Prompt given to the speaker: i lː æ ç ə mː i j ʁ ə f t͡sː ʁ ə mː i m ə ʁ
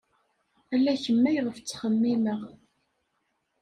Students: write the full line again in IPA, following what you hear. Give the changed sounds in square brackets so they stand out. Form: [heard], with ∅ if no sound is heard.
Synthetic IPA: [æ] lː æ ç ə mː [æ] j ʁ ə f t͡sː [χ] ə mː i m ə ʁ